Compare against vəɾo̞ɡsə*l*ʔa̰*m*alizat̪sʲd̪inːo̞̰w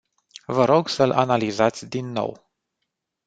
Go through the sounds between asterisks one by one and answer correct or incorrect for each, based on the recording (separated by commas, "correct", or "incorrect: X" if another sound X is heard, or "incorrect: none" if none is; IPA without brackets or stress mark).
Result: correct, incorrect: n